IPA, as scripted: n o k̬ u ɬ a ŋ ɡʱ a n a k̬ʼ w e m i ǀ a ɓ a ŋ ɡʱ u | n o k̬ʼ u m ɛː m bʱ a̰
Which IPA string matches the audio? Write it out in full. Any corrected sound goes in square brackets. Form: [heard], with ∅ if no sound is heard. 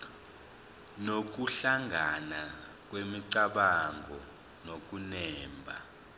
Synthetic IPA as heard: n o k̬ u ɬ a ŋ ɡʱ a n a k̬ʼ w e m i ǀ a ɓ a ŋ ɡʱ [ɔ] | n o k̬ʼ u [n] ɛː m bʱ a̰